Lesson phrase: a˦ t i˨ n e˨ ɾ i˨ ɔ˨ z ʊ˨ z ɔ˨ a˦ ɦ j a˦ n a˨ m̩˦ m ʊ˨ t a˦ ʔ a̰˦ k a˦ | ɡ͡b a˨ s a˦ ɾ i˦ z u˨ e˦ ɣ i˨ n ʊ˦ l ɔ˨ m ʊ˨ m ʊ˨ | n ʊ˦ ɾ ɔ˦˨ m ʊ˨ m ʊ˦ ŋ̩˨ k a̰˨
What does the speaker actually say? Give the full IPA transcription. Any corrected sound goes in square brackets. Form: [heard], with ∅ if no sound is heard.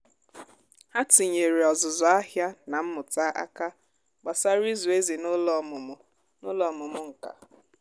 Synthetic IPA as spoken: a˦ t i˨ [ɲ] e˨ ɾ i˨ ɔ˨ z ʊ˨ z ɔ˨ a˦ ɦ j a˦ n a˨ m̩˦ m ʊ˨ t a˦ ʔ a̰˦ k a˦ | ɡ͡b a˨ s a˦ ɾ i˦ z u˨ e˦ [z] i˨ n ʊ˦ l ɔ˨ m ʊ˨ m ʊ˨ | n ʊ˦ [l] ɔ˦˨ m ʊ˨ m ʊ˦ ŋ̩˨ k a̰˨